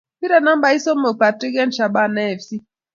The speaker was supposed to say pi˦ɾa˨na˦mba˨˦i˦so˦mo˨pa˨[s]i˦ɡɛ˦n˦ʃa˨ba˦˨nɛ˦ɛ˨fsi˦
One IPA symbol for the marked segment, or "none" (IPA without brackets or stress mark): t